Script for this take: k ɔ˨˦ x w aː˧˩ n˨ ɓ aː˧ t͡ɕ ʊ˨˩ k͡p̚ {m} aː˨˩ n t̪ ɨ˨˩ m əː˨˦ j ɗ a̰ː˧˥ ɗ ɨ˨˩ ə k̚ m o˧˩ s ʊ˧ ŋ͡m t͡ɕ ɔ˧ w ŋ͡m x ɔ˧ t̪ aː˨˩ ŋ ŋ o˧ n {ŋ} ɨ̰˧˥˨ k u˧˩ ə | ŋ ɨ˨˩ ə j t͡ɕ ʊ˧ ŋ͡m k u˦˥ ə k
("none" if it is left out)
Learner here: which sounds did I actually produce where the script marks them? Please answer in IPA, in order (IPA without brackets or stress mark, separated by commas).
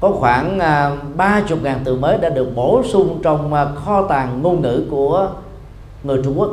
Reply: ŋ, ŋ